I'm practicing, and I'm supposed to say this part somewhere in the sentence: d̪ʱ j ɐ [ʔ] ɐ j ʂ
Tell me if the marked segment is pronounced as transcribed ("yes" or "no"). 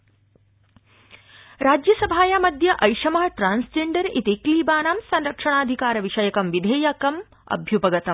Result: yes